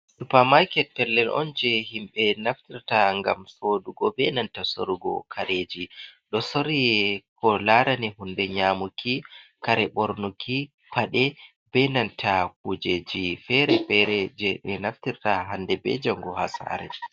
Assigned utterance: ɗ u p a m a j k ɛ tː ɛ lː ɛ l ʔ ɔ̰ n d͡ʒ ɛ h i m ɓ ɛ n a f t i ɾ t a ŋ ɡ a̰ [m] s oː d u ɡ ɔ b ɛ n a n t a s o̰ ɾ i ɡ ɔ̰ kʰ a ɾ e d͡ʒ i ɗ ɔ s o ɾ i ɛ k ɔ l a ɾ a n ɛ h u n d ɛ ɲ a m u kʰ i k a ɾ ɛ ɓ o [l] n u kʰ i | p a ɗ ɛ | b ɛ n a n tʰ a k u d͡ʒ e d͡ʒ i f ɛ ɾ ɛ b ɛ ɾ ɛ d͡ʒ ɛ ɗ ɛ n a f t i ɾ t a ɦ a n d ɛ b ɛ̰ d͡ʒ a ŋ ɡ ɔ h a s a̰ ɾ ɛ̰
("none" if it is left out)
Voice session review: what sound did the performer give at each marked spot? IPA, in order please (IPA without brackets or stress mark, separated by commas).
m, ɾ